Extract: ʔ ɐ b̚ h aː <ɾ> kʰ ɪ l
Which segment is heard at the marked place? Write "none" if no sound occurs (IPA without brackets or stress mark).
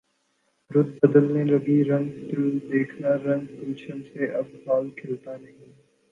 l